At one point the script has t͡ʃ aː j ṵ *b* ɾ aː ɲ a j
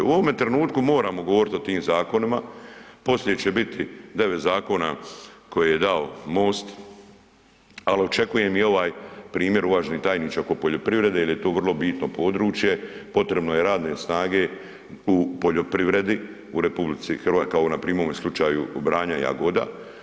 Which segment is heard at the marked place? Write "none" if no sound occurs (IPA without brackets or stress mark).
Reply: b